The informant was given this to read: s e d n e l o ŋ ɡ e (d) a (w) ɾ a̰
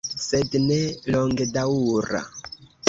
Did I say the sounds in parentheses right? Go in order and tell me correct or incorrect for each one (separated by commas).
correct, incorrect